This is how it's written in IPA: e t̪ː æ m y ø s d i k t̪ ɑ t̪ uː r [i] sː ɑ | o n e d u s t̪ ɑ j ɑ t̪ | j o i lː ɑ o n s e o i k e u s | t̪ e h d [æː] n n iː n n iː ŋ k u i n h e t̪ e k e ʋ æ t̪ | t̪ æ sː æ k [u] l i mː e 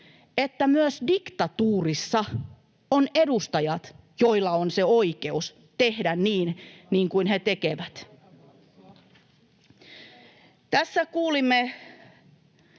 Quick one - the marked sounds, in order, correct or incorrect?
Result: correct, incorrect, incorrect

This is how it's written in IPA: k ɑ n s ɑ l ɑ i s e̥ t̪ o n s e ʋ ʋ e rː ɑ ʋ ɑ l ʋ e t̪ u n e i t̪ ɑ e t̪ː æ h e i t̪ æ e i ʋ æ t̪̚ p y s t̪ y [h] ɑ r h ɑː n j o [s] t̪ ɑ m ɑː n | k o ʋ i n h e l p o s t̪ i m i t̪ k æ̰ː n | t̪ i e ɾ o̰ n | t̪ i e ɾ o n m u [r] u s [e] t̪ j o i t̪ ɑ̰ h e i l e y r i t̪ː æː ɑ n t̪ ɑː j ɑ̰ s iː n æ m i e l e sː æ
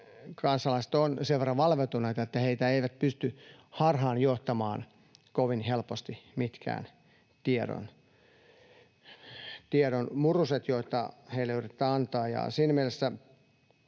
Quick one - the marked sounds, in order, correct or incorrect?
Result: correct, incorrect, correct, correct

